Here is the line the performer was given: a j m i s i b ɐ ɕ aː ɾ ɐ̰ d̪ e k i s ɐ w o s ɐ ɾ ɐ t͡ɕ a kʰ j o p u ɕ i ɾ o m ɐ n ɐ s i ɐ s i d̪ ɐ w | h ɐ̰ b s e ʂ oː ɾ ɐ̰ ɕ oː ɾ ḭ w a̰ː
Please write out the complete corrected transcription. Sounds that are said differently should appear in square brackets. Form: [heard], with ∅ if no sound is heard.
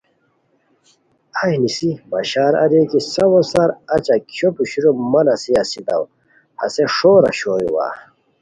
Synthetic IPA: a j [n] i s i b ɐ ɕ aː ɾ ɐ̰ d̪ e k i s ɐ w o s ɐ ɾ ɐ t͡ɕ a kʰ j o p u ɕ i ɾ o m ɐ n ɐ s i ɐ s i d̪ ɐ w | h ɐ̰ [∅] s e ʂ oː ɾ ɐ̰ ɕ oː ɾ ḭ w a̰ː